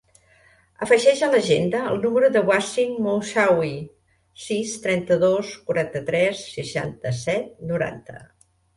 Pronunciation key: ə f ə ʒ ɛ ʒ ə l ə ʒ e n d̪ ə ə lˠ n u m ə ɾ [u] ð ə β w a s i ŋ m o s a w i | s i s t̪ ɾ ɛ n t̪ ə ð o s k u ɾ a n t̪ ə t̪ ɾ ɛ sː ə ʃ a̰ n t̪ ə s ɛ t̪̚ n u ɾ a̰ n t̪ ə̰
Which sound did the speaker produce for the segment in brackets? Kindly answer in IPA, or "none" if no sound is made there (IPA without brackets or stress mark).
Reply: u